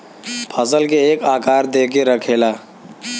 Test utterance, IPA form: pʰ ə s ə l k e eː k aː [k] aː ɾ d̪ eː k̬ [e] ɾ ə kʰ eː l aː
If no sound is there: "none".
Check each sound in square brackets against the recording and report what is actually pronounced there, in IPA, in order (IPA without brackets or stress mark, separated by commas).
k, e